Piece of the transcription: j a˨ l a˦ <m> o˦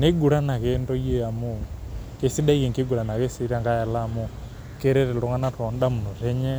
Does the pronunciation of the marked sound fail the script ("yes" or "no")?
no